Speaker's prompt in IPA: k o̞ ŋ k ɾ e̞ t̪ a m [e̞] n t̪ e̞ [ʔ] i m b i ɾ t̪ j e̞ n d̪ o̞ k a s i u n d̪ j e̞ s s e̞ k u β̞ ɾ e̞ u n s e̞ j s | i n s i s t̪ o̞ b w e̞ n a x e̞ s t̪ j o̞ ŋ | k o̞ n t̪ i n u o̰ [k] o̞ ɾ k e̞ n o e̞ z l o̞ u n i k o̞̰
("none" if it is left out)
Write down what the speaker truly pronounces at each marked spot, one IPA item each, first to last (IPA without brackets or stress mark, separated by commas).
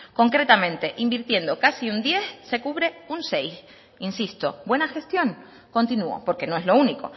ẽ̞, ʔ, p